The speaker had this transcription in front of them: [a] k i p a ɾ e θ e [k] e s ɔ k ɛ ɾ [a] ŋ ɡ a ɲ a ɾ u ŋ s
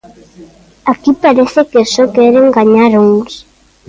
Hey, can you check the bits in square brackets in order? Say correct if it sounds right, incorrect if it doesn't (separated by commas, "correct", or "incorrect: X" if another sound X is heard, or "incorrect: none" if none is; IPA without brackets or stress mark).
correct, correct, incorrect: e